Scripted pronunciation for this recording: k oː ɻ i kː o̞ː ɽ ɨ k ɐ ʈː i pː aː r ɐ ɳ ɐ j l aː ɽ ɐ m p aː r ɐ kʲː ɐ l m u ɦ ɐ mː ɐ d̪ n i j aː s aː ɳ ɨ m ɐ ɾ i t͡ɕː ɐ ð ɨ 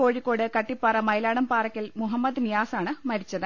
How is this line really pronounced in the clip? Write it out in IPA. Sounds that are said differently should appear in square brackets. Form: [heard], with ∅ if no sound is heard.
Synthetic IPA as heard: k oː ɻ i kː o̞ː ɽ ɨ k ɐ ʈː i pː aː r ɐ [m] ɐ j l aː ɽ ɐ m p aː r ɐ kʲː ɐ l m u ɦ ɐ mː ɐ d̪ n i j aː s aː ɳ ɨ m ɐ ɾ i t͡ɕː ɐ ð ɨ